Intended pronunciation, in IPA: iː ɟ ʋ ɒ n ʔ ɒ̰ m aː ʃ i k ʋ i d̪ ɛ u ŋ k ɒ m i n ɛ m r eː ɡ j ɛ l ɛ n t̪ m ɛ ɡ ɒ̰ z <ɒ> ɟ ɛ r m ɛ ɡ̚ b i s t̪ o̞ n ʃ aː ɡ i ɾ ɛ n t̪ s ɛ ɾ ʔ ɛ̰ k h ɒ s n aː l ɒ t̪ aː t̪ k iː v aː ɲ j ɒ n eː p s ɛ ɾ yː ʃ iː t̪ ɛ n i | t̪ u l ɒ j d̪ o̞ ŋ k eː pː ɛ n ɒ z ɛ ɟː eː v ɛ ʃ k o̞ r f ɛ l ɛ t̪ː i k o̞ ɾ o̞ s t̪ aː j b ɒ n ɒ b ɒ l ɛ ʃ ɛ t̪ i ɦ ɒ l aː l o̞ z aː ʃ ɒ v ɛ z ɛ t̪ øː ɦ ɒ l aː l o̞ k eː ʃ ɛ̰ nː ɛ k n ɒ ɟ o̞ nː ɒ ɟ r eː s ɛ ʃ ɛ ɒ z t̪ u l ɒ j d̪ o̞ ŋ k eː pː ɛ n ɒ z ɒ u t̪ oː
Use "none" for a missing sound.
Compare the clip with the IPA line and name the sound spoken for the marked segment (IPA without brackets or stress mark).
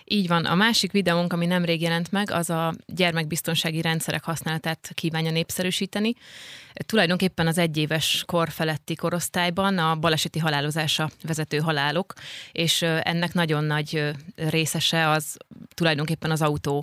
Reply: ɒ